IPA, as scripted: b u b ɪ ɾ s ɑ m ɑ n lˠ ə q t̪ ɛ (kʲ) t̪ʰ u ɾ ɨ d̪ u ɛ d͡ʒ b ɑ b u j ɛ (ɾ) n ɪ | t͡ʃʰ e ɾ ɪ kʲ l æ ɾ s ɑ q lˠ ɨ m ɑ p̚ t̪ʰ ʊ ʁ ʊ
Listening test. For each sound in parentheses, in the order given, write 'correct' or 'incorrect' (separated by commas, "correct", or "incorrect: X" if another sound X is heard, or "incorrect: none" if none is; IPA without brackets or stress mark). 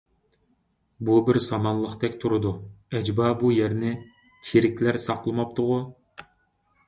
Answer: correct, correct